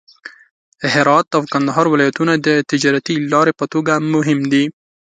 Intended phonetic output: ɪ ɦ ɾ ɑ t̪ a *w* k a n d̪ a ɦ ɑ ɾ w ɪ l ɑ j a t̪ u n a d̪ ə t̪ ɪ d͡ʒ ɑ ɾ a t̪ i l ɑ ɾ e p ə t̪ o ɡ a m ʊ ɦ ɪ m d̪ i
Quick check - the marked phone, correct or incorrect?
correct